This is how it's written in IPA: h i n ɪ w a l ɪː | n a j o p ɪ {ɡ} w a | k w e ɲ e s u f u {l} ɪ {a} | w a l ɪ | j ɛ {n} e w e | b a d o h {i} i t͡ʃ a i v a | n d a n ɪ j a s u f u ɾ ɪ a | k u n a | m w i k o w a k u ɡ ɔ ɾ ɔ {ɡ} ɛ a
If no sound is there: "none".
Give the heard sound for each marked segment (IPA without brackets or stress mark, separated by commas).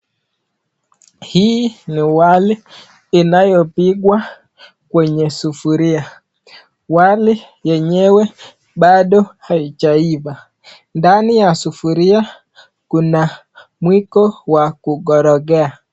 ɡ, ɾ, a, ɲ, a, ɡ